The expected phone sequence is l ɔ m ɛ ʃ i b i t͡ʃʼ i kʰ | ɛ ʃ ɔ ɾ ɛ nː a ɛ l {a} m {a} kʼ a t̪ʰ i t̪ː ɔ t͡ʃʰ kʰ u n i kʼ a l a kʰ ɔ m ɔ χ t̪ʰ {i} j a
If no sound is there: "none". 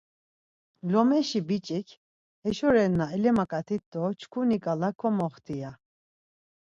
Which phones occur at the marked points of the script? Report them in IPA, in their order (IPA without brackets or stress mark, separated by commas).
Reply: ɛ, a, i